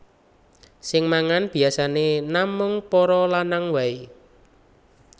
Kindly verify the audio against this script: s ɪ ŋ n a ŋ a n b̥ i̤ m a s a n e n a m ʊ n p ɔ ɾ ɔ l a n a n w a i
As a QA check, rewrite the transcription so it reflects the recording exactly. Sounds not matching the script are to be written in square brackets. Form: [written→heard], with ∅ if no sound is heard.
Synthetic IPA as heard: s ɪ ŋ [n→m] a ŋ a n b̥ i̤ [m→∅] a s a n e n a m ʊ [n→ŋ] p ɔ ɾ ɔ l a n a [n→ŋ] w a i